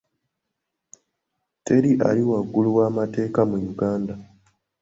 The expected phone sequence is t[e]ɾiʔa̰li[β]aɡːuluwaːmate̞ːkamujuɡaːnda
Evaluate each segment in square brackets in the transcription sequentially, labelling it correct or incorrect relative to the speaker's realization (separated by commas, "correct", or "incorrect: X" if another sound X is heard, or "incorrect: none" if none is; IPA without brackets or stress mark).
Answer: correct, incorrect: w